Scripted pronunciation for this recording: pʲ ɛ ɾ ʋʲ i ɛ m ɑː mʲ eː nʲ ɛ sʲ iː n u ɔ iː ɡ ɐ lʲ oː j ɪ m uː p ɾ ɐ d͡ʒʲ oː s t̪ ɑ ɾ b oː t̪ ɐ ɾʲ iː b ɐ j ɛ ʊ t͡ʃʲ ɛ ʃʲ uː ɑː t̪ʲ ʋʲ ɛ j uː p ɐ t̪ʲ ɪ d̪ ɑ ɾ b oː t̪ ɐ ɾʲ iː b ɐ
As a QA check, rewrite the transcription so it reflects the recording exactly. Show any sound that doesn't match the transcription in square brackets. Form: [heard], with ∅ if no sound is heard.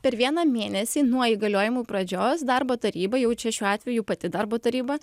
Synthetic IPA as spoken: pʲ ɛ ɾ ʋʲ i ɛ [n] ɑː mʲ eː nʲ ɛ sʲ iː n u ɔ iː ɡ ɐ lʲ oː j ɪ m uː p ɾ ɐ d͡ʒʲ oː s [d̪] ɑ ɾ b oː t̪ ɐ ɾʲ iː b ɐ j ɛ ʊ t͡ʃʲ ɛ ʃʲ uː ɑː t̪ʲ ʋʲ ɛ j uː p ɐ t̪ʲ ɪ d̪ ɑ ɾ b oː t̪ ɐ ɾʲ iː b ɐ